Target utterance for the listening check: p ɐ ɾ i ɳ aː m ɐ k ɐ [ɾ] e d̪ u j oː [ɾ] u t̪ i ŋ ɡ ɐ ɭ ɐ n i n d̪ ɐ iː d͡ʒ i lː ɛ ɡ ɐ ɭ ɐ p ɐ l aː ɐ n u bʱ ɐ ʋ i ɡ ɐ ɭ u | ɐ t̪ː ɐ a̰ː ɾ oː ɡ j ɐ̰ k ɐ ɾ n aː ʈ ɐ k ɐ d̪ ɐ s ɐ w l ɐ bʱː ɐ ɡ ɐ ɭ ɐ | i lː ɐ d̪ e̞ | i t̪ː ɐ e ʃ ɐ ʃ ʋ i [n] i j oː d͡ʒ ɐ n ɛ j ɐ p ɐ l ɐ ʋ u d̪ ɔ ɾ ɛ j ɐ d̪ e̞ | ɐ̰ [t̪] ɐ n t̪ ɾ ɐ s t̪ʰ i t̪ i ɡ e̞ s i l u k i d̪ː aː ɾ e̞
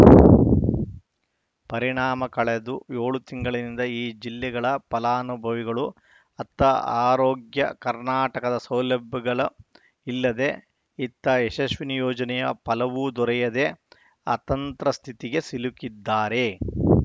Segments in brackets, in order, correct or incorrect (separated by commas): incorrect, incorrect, correct, correct